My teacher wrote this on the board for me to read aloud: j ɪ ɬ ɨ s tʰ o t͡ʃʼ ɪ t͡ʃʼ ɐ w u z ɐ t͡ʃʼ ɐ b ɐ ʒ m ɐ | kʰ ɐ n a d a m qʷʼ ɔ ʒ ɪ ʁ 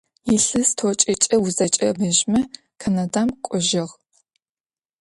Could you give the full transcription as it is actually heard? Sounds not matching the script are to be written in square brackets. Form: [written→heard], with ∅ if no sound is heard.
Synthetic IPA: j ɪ ɬ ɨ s tʰ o t͡ʃʼ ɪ t͡ʃʼ ɐ w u z ɐ t͡ʃʼ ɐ b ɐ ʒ m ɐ | kʰ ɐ n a d a m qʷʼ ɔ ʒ ɪ ʁ